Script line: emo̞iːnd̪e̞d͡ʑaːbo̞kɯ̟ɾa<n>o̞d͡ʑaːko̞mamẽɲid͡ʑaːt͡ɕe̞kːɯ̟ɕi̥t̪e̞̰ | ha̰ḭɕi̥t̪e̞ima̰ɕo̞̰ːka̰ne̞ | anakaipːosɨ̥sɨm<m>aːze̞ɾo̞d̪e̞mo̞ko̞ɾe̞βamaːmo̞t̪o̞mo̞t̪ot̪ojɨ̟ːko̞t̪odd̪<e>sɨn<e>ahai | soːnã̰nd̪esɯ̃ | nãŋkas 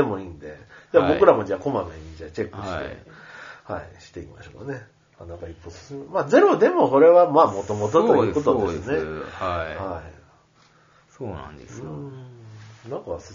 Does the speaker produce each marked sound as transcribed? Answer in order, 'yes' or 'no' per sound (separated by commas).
no, yes, yes, yes